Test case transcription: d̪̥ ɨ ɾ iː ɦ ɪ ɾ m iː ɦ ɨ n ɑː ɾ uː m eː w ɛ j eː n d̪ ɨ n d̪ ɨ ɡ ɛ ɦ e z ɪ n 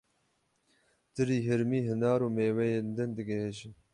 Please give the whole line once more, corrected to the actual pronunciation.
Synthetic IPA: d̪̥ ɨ ɾ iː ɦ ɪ ɾ m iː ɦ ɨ n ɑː ɾ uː m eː w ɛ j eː n d̪ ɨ n d̪ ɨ ɡ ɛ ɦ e ʒ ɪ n